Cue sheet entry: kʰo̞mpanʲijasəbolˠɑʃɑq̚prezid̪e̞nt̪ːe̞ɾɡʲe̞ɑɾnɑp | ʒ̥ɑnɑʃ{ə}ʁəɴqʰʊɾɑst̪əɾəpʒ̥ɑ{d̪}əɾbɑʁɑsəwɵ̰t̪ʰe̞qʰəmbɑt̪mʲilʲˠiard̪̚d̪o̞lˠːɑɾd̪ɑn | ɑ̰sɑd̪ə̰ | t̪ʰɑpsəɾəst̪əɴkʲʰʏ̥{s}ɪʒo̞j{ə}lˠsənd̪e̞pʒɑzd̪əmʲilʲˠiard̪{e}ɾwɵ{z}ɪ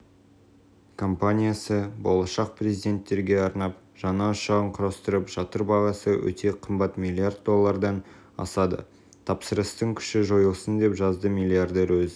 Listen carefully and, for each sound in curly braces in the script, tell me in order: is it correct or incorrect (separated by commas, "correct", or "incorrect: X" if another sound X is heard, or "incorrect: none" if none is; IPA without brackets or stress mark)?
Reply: incorrect: ɑ, incorrect: t̪, incorrect: ʃ, correct, correct, correct